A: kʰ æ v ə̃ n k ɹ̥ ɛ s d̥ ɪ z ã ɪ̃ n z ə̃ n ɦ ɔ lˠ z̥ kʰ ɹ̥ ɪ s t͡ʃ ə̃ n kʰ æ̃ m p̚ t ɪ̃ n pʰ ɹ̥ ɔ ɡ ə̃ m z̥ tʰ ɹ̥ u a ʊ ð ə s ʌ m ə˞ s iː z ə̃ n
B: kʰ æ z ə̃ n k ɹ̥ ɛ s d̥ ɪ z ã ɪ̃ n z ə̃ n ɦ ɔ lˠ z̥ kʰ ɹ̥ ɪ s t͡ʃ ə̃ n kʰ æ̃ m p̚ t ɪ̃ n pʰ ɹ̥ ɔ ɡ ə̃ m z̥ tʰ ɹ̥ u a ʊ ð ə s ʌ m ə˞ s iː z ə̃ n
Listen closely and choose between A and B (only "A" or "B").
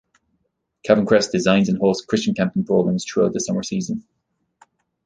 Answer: A